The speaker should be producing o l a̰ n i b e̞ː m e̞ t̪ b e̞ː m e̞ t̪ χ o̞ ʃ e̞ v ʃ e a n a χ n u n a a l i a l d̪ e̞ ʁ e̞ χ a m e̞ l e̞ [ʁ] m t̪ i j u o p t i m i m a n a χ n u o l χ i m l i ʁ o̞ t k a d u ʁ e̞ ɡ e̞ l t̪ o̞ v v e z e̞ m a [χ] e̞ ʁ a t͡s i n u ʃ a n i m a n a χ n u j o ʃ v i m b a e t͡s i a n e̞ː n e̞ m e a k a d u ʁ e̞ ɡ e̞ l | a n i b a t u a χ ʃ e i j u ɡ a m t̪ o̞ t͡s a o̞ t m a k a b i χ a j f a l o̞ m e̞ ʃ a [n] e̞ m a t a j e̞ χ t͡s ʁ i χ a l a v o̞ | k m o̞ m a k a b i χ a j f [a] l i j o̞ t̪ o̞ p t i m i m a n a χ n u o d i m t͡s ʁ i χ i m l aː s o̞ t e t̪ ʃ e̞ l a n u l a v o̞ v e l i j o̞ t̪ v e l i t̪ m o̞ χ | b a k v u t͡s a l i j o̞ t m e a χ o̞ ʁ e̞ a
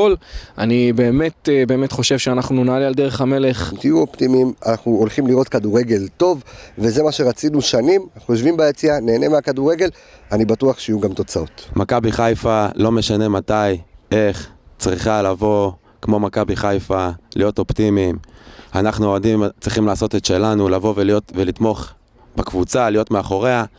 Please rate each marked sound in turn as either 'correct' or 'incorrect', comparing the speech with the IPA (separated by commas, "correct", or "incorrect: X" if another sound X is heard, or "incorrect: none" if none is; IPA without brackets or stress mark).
incorrect: χ, incorrect: ʃ, correct, correct